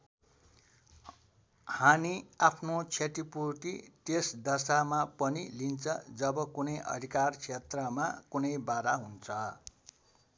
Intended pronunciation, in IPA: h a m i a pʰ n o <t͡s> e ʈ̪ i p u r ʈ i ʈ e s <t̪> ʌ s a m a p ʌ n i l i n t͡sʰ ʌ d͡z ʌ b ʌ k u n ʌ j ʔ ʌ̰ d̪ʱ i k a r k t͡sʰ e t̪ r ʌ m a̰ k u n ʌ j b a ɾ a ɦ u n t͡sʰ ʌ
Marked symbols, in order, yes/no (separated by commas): no, no